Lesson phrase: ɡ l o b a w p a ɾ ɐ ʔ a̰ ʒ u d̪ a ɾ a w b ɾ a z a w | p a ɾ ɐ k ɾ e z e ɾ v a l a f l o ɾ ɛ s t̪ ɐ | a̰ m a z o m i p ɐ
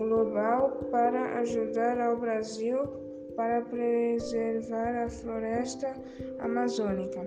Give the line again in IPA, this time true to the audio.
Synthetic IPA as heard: ɡ l o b a w p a ɾ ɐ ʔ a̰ ʒ u d̪ a ɾ a w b ɾ a z i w | p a ɾ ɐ p ɾ e z e ɾ v a ɾ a f l o ɾ ɛ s t̪ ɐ | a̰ m a z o n i k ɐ